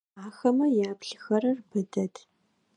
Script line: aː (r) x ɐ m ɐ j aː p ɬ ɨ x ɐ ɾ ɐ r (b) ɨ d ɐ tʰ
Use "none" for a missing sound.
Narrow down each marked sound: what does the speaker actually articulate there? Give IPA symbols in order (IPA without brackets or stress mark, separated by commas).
none, b